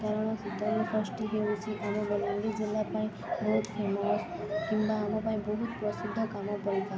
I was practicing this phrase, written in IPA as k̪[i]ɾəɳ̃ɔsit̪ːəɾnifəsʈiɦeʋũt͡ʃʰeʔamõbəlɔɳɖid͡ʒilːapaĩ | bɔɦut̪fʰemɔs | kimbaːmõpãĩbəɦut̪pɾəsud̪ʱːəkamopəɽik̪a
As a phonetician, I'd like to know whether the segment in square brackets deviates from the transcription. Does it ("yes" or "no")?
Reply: yes